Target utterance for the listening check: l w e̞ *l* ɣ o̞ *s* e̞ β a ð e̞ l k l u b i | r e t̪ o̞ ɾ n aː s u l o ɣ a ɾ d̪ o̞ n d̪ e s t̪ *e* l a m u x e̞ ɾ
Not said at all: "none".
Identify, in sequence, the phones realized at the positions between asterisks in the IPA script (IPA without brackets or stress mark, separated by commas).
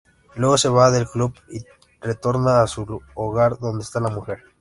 none, s, a